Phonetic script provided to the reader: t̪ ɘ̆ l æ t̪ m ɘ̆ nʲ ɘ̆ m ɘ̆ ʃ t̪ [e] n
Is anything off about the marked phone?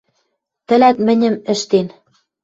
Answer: no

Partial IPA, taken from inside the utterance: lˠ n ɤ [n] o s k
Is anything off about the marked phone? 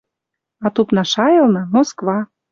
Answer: yes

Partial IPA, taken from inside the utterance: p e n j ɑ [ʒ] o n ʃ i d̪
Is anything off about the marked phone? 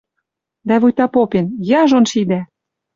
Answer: no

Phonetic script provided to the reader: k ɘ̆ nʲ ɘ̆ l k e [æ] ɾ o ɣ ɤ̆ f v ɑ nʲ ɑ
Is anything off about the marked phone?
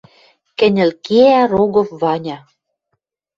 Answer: no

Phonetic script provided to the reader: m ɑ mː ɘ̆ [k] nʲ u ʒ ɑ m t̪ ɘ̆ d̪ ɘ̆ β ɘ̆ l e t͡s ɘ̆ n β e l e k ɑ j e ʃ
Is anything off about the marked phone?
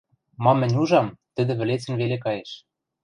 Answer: yes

